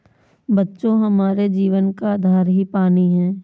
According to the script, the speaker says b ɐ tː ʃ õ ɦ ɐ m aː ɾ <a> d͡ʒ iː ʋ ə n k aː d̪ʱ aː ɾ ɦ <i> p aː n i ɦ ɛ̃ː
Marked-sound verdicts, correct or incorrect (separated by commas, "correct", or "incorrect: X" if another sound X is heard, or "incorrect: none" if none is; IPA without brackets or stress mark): incorrect: e, correct